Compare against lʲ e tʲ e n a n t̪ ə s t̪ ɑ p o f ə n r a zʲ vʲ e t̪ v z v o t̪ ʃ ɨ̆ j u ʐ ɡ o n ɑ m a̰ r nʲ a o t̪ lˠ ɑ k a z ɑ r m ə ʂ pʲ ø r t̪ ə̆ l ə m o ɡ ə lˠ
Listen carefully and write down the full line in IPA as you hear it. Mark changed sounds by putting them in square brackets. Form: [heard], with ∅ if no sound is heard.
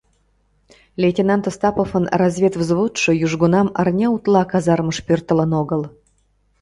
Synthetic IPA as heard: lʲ e tʲ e n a n t̪ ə s t̪ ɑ p o f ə n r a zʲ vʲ e t̪ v z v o t̪ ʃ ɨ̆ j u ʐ ɡ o n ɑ m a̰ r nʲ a [u] t̪ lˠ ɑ k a z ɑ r m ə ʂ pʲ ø r t̪ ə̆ l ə [n] o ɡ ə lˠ